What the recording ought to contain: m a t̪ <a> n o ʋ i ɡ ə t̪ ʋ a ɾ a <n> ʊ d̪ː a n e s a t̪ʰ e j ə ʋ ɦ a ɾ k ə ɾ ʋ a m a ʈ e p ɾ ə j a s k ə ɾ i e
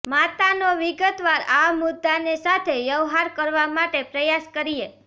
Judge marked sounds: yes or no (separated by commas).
yes, no